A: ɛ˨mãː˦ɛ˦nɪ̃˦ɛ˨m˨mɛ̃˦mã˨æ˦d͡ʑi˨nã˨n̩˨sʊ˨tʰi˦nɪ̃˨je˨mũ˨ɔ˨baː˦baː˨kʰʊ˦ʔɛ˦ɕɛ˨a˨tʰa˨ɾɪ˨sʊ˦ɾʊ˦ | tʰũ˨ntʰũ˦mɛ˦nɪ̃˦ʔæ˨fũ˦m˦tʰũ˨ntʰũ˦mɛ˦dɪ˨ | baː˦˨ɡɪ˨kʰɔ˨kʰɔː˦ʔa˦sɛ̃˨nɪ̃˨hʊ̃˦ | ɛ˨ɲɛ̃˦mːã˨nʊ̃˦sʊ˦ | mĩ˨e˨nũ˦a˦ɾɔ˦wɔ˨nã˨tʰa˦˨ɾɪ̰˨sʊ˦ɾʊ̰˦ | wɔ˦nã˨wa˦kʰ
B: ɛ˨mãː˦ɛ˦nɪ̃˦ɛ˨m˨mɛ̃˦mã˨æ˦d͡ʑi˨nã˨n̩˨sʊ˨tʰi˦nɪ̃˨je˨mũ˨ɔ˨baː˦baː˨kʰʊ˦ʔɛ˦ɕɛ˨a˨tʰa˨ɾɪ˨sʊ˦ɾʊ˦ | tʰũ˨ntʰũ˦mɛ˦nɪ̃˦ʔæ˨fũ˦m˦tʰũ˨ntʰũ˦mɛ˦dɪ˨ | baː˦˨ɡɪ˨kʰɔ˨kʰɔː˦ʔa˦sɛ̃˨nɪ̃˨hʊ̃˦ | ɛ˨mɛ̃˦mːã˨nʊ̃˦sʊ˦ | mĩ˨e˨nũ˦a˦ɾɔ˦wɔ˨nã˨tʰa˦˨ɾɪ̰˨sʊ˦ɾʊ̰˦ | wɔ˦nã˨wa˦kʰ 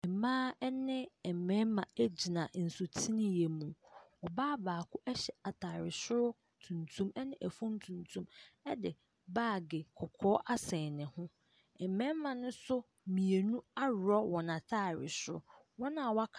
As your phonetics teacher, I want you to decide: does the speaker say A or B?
B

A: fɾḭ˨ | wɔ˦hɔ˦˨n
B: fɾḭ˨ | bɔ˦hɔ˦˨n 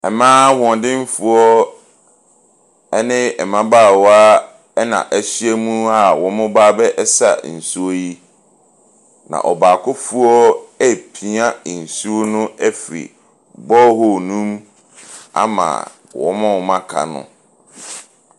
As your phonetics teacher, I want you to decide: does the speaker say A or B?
B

